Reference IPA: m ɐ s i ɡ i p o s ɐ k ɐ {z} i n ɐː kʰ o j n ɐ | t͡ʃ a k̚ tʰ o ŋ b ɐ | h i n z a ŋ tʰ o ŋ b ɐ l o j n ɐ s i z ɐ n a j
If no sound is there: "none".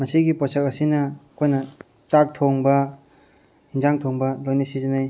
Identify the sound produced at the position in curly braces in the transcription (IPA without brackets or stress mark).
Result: s